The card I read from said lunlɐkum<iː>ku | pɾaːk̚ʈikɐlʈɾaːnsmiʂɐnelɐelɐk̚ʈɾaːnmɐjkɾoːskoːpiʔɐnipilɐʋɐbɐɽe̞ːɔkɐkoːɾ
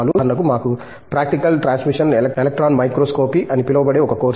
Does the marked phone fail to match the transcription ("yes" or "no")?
yes